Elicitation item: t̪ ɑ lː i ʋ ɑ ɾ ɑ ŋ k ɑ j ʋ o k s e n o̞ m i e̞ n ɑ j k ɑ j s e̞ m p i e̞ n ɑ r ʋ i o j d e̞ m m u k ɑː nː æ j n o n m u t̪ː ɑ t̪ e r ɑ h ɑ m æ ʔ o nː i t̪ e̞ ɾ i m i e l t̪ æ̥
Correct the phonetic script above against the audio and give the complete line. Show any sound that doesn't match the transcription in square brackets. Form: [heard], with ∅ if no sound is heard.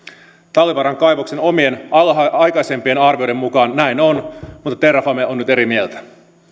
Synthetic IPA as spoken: t̪ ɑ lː i ʋ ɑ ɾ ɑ ŋ k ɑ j ʋ o k s e n o̞ m i e̞ n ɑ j k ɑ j s e̞ m p i e̞ n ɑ r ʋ i o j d e̞ m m u k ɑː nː æ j n o n m u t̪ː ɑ t̪ e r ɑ [f] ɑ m [e] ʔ o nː [y] t̪ e̞ ɾ i m i e l t̪ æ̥